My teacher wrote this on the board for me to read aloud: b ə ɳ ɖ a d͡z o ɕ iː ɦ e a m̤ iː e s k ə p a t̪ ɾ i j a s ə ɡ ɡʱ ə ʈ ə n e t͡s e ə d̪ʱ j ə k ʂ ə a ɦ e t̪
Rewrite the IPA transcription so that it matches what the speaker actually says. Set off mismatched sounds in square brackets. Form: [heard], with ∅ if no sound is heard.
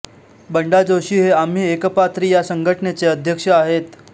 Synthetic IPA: b ə ɳ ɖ a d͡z o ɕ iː ɦ e a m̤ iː e [∅] k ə p a t̪ ɾ i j a s ə [ŋ] ɡʱ ə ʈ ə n e t͡s e ə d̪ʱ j ə k ʂ ə a ɦ e t̪